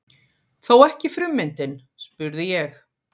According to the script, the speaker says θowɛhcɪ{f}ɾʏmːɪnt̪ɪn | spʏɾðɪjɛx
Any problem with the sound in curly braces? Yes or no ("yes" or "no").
no